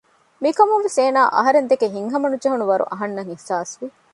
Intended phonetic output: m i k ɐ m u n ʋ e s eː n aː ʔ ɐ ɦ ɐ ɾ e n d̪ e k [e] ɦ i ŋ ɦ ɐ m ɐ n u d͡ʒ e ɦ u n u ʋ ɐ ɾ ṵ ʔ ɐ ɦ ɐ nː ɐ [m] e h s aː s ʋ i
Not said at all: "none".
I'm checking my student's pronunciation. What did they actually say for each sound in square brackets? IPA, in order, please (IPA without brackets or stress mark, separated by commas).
e, ŋ